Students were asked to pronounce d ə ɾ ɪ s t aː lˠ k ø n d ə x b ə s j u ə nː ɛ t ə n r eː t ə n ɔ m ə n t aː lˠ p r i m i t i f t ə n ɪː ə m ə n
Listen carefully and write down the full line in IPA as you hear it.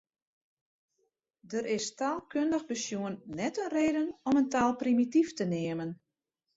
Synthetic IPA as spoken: d ə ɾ ɪ s t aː lˠ k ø n d ə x b ə s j u ə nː ɛ t ə n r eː d ə n ɔ m ə n t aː lˠ p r i m i t i f t ə n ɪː ə m ə n

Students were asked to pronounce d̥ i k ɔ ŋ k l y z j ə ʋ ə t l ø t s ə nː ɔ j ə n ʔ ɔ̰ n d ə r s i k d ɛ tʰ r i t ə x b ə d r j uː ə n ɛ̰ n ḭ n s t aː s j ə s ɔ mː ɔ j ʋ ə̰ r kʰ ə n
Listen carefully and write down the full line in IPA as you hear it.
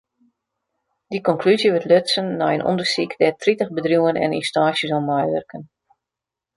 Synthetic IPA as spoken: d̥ i k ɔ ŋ k l y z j ə ʋ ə t l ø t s ə nː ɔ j ə n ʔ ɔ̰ n d ə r s i k d ɛ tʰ r i t ə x b ə d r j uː ə n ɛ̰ n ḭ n s t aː s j ə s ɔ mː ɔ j ʋ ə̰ r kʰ ə n

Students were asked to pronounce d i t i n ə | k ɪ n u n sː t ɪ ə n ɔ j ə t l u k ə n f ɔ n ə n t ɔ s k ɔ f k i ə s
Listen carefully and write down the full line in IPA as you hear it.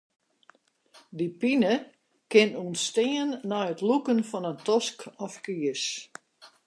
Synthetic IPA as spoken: d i p i n ə | k ɪ n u n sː t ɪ ə nː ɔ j ə t l u k ə n f ɔ n ə n t ɔ s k ɔ f k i ə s

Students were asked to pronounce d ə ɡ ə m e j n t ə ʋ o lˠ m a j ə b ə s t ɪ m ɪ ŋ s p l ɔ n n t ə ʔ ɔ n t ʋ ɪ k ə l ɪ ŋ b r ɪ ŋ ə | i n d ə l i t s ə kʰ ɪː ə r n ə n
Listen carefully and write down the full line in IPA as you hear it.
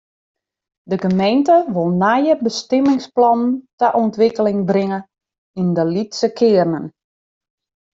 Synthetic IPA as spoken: d ə ɡ ə m e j n t ə ʋ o lˠ n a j ə b ə s t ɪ m ɪ ŋ s p l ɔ n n t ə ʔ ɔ n t ʋ ɪ k ə l ɪ ŋ b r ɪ ŋ ə | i n d ə l i t s ə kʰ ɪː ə r n ə n

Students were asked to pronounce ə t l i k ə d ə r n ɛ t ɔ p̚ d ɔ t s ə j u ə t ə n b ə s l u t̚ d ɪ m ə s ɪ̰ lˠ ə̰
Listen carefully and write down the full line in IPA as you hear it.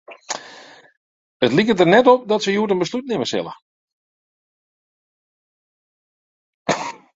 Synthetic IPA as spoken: ə t l i k ə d ə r n ɛ t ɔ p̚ d ɔ t s ə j u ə t ə n b ə s l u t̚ n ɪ m ə s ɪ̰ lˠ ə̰

